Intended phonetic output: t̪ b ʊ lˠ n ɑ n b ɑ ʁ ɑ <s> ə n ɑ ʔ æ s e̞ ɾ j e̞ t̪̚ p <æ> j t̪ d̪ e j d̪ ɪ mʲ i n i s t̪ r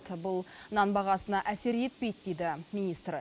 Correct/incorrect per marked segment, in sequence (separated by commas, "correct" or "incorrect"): correct, incorrect